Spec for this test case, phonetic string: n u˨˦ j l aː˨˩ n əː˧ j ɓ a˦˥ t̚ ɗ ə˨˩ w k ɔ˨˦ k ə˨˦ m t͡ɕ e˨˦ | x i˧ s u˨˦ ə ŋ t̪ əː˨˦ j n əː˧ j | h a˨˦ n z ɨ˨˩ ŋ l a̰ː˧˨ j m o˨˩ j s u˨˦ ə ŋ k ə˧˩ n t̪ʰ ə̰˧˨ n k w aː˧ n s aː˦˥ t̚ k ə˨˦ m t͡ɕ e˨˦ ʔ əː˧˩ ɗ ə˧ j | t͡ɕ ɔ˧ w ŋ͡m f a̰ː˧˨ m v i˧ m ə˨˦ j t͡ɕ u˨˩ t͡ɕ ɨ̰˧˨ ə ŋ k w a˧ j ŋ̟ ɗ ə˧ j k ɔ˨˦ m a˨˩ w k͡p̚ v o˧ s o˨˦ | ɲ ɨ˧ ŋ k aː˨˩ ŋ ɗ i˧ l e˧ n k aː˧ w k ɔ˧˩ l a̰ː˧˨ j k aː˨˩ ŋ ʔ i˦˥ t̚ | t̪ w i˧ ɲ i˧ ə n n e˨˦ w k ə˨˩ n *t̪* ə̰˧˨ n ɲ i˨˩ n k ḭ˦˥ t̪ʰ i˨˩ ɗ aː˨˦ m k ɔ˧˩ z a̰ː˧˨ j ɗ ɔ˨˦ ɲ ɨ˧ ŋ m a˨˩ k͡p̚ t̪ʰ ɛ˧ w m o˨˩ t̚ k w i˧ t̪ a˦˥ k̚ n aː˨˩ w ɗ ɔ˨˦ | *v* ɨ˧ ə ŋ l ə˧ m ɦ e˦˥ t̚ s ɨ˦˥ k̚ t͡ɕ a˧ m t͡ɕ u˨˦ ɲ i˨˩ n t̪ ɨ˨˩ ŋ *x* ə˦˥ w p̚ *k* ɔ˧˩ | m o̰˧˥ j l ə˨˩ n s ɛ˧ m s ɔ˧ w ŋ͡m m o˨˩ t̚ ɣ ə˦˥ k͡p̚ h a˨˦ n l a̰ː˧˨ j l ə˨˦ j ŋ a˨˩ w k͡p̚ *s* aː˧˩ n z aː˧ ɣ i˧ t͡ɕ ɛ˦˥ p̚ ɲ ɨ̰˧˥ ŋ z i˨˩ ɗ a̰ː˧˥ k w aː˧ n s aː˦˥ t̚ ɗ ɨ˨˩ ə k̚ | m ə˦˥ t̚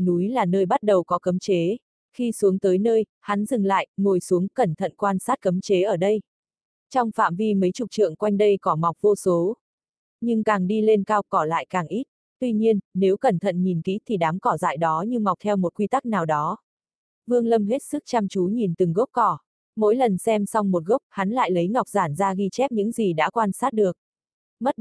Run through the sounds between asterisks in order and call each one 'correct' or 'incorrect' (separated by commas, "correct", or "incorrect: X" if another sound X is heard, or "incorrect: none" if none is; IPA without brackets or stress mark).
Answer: incorrect: t̪ʰ, correct, incorrect: ɣ, correct, incorrect: z